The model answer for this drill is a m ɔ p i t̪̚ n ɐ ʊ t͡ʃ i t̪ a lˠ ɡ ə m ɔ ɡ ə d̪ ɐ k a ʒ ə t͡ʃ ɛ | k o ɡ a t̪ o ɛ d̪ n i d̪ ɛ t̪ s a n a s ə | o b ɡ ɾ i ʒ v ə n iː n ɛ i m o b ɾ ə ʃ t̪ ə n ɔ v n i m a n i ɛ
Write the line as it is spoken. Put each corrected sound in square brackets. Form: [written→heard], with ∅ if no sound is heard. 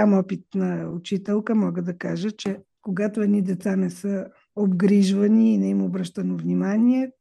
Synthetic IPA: a m ɔ p i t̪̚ n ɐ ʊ t͡ʃ i t̪ [a→ɛ] lˠ [ɡ→k] ə m ɔ ɡ ə d̪ ɐ k a ʒ ə t͡ʃ ɛ | k o ɡ a t̪ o ɛ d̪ n i d̪ ɛ t̪ s a n [a→ɛ] s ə | o b ɡ ɾ i ʒ v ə n iː n ɛ i m o b ɾ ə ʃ t̪ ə n [ɔ→o] v n i m a n i ɛ